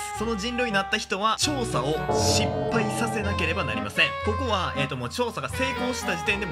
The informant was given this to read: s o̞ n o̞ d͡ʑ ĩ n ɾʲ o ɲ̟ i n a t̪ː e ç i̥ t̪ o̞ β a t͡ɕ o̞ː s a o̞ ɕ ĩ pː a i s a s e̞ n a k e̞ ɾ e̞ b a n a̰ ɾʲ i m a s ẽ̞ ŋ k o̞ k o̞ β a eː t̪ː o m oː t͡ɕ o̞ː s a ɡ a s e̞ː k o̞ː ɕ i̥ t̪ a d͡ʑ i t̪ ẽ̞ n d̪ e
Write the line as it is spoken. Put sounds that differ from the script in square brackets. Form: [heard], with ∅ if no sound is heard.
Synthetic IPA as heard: s o̞ n o̞ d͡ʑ ĩ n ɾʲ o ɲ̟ i n a t̪ː [a] ç i̥ t̪ o̞ β a t͡ɕ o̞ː s a o̞ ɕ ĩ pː a i s a s e̞ n a k e̞ ɾ e̞ b a n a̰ ɾʲ i m a s ẽ̞ ŋ k o̞ k o̞ β a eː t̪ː o m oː t͡ɕ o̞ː s a ɡ a s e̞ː k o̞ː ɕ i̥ t̪ a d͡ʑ i t̪ ẽ̞ n d̪ e